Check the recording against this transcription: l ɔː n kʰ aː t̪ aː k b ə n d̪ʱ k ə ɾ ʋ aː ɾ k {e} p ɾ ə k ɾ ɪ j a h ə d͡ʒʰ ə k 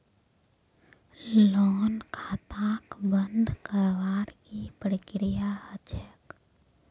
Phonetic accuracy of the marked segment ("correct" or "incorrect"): incorrect